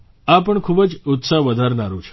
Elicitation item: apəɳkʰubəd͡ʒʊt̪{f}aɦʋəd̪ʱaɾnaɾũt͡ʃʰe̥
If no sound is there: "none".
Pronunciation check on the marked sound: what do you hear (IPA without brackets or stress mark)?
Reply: s